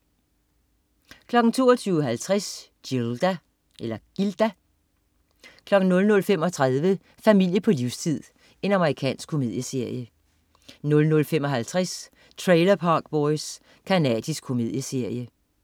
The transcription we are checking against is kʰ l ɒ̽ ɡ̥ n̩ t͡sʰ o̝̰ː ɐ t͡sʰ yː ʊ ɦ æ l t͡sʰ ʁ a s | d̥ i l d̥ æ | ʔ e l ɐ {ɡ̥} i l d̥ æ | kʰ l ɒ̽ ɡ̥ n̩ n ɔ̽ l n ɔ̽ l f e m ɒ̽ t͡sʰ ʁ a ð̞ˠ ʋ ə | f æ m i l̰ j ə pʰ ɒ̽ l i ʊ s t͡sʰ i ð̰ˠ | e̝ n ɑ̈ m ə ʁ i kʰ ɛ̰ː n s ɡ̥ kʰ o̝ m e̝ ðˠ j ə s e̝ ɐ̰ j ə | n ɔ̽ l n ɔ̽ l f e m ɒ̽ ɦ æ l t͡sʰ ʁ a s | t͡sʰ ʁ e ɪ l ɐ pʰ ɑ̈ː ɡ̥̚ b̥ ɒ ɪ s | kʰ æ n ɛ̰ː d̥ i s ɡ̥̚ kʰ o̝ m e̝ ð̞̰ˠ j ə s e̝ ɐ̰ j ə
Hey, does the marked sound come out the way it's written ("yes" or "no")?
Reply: yes